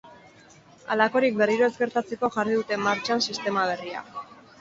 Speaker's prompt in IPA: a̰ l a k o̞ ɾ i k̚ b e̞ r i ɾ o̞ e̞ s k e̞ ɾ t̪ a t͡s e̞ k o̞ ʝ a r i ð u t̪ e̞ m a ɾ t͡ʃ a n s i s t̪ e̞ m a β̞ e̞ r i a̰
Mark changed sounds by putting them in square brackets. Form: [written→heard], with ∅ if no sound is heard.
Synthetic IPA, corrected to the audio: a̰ l a k o̞ ɾ i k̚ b e̞ r i ɾ o̞ e̞ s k e̞ ɾ t̪ a t͡s e̞ k o̞ ʝ a r i ð u t̪ e̞ m a ɾ t͡ʃ a n s i s t̪ e̞ m a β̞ e̞ r i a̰

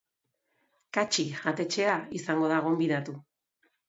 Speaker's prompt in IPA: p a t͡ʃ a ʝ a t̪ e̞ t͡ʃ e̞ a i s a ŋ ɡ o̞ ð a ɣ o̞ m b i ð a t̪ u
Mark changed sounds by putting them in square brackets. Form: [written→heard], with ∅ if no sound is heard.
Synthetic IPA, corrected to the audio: [p→k] a t͡ʃ [a→i] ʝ a t̪ e̞ t͡ʃ e̞ a i s a ŋ ɡ o̞ ð a ɣ o̞ m b i ð a t̪ u

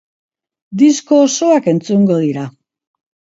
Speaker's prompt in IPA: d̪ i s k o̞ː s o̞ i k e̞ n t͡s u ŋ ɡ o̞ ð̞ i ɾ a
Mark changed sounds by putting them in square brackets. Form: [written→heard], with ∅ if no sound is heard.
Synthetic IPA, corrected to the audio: d̪ i s k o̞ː s o̞ [i→a] k e̞ n t͡s u ŋ ɡ o̞ ð̞ i ɾ a

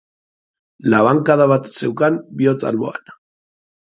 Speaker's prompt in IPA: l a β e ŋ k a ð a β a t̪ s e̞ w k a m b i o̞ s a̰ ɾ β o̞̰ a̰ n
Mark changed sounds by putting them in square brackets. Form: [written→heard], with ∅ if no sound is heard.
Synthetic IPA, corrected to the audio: l a β [e→a] ŋ k a ð a β a t̪ s e̞ w k a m b i o̞ [s→t͡s] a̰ [ɾ→l] β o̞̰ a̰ n

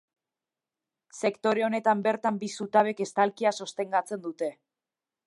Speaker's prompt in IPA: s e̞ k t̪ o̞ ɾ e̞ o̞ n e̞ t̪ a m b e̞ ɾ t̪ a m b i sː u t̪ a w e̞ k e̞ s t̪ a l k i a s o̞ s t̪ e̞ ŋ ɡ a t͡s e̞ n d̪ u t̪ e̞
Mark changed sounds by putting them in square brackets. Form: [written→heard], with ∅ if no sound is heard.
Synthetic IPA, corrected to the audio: s e̞ k t̪ o̞ ɾ e̞ o̞ n e̞ t̪ a m b e̞ ɾ t̪ a m b i [sː→s] u t̪ a [w→β] e̞ k e̞ s t̪ a l k i a s o̞ s t̪ e̞ ŋ ɡ a t͡s e̞ n d̪ u t̪ e̞

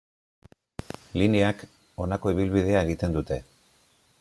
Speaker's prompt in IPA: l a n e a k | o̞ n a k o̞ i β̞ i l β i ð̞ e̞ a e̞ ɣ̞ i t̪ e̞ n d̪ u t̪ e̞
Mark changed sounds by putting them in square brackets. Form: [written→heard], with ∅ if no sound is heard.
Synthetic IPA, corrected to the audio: l [a→i] n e a k | o̞ n a k o̞ i β̞ i l β i ð̞ e̞ a e̞ ɣ̞ i t̪ e̞ n d̪ u t̪ e̞

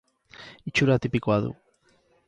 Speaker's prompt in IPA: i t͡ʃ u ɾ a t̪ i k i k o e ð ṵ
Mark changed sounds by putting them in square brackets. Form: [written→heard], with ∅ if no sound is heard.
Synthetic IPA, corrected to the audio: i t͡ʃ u ɾ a t̪ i [k→p] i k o [e→a] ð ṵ

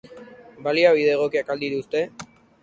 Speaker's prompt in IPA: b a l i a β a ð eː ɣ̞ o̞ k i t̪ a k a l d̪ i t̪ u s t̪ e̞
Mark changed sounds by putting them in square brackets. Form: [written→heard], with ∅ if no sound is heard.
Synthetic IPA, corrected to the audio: b a l i a β [a→i] ð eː ɣ̞ o̞ k i [t̪→∅] a k a l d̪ i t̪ u s t̪ e̞

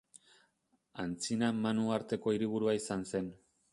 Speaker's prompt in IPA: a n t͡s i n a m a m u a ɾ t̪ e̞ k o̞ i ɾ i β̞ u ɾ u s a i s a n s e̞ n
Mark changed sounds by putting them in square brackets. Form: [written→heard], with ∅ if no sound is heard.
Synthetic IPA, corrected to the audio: a n t͡s i n a m a [m→n] u a ɾ t̪ e̞ k o̞ i ɾ i β̞ u ɾ u [s→∅] a i s a n s e̞ n

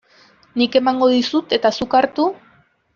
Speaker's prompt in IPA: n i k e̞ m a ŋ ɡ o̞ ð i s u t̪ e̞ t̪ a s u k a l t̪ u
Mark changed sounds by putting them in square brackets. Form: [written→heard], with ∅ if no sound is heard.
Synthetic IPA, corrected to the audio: n i k e̞ m a ŋ ɡ o̞ ð i s u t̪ e̞ t̪ a s u k a [l→ɾ] t̪ u

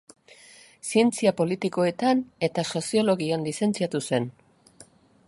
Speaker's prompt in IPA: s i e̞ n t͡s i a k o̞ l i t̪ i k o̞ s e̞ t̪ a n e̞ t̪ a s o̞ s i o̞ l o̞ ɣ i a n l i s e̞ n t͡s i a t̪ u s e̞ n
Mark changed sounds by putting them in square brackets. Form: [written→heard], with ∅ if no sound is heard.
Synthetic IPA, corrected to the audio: s i e̞ n t͡s i a [k→p] o̞ l i t̪ i k o̞ [s→∅] e̞ t̪ a n e̞ t̪ a s o̞ s i o̞ l o̞ ɣ i a n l i s e̞ n t͡s i a t̪ u s e̞ n

